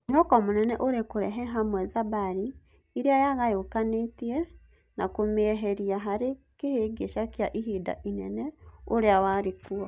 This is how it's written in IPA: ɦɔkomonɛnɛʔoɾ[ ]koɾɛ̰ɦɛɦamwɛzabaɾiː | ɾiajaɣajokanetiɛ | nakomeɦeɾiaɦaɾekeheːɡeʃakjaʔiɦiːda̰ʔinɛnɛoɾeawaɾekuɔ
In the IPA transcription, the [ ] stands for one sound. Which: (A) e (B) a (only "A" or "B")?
A